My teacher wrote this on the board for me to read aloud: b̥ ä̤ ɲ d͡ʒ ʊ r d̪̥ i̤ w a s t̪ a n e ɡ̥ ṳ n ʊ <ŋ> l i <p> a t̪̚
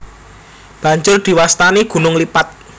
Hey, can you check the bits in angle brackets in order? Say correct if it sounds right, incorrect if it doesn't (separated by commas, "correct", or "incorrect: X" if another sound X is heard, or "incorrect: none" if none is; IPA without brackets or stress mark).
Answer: correct, correct